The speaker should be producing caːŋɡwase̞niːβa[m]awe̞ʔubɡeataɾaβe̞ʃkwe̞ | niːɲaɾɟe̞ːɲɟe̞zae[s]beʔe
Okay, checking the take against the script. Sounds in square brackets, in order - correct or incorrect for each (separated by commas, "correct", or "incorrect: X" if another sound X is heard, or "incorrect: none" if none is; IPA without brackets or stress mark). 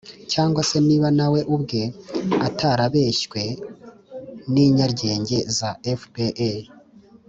incorrect: n, incorrect: f